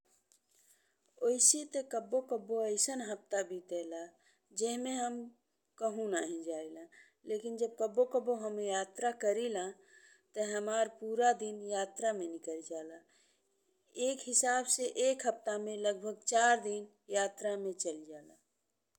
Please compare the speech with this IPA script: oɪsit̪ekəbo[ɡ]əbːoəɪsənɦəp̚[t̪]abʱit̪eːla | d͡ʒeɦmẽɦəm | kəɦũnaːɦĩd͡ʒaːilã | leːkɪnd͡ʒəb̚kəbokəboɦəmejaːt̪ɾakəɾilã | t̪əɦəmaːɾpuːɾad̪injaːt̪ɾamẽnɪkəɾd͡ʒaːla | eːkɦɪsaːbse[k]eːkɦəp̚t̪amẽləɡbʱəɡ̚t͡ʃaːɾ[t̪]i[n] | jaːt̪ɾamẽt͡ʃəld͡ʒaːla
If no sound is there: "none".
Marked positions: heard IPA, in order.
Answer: k, t̪, ʔ, d̪, n

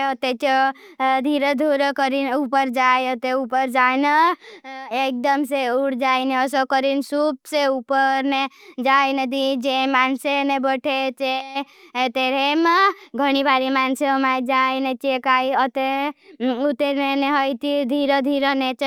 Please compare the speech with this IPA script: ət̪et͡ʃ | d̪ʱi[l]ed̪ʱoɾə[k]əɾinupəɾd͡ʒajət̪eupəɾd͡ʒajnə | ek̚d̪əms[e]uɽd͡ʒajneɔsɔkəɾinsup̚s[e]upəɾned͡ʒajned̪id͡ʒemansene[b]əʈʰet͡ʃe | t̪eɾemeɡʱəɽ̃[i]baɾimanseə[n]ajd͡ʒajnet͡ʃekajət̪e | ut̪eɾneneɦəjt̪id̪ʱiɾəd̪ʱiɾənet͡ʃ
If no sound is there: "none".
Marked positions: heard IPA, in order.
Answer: ɾ, k, e, e, b, i, m

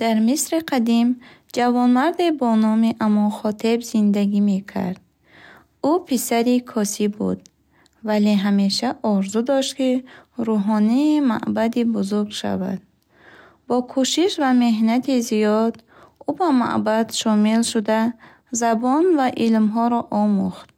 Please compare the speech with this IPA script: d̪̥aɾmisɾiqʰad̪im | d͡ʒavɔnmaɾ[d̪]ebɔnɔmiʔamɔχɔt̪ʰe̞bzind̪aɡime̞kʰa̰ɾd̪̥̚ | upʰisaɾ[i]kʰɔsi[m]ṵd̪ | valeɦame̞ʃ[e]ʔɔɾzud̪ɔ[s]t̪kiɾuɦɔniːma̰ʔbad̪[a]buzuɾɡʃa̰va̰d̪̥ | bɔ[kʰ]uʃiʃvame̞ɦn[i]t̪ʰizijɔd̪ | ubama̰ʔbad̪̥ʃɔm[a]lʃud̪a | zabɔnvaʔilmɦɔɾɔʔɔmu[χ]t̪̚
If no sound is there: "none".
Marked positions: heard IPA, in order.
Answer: d̪, i, b, a, ʃ, i, kʰ, a, i, χ

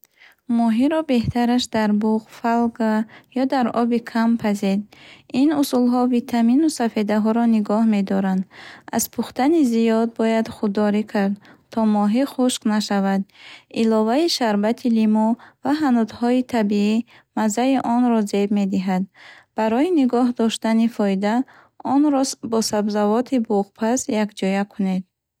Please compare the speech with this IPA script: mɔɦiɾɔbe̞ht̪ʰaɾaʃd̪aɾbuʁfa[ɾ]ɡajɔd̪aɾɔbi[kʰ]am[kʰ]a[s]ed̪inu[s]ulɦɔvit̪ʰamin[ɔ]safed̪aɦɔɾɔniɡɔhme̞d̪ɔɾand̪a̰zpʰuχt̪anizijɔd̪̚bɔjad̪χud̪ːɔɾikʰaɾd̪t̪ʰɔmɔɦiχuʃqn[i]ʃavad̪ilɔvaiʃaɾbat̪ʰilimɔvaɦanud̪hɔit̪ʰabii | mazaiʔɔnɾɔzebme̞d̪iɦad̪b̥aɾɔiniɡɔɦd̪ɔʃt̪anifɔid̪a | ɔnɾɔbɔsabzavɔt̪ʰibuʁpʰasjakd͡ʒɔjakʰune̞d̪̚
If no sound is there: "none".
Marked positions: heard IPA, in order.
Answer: l, kʰ, pʰ, z, s, u, a

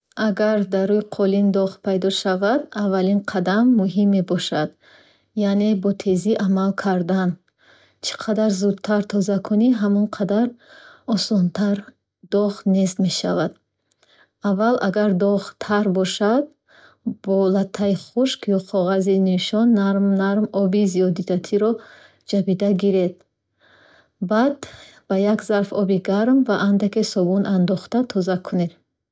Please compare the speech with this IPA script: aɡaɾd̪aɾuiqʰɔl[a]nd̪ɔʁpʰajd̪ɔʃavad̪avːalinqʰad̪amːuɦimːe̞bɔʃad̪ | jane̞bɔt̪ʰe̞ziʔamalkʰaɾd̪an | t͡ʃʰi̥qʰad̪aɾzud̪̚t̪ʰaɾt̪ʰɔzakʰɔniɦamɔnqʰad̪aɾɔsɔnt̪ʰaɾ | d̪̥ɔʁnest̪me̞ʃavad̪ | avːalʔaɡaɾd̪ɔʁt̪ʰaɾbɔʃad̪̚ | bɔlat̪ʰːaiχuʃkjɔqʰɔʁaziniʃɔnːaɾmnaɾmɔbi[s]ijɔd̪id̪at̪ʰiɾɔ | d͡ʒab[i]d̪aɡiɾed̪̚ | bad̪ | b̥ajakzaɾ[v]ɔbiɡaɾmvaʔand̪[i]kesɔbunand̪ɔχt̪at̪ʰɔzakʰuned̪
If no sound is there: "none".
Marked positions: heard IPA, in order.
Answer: i, z, i, f, a

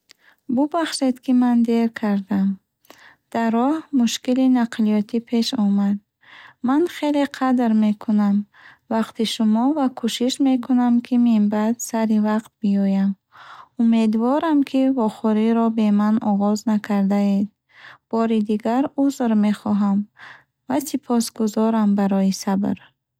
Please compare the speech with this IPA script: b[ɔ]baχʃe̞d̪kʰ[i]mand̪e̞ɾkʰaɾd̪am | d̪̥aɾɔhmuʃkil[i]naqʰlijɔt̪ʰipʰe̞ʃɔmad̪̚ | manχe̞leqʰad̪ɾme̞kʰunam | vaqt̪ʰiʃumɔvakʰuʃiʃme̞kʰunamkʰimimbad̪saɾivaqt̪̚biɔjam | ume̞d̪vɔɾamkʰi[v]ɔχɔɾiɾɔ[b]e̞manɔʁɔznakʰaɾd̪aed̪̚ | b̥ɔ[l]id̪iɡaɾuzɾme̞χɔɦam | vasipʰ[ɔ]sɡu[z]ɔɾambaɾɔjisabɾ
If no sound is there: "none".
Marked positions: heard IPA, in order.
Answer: u, i, i, v, b, ɾ, ɔ, z

